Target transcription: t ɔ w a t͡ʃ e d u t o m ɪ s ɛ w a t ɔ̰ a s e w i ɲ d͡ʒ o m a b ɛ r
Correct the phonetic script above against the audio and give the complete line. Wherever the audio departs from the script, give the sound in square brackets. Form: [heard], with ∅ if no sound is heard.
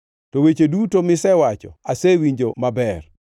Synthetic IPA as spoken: t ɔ w [e] t͡ʃ e d u t o m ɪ s ɛ w a [t͡ʃ] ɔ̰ a s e w i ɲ d͡ʒ o m a b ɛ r